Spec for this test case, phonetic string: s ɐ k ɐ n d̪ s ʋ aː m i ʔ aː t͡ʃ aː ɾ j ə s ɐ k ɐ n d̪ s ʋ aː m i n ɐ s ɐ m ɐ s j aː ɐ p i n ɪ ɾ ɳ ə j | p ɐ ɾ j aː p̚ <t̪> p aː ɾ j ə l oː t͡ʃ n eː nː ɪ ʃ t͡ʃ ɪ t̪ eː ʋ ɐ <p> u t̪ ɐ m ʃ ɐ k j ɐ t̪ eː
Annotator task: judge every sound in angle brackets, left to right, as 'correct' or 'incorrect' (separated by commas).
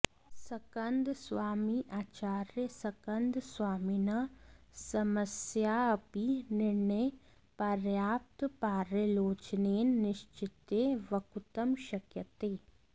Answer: correct, incorrect